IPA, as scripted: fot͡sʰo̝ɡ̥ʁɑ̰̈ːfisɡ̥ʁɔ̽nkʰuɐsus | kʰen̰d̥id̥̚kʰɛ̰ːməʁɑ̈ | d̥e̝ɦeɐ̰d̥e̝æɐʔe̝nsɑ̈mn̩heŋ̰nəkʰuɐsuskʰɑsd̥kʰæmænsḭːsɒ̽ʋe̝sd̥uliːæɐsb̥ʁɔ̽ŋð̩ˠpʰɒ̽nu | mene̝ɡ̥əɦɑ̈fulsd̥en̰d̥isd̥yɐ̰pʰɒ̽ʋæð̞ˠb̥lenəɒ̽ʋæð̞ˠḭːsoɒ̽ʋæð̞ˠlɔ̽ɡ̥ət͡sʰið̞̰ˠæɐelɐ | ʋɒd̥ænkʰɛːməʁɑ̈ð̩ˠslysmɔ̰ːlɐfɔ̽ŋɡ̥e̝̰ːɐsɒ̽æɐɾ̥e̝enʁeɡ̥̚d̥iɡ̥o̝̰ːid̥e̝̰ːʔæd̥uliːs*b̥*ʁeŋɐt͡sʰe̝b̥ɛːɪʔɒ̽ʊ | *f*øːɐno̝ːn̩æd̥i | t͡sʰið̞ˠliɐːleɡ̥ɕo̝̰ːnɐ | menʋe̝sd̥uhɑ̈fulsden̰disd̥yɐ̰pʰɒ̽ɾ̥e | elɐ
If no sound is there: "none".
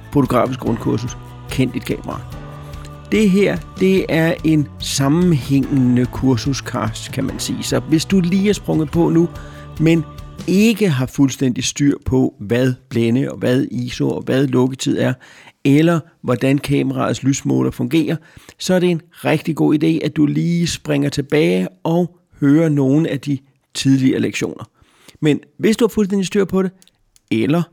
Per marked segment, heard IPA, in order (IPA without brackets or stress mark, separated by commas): b̥, h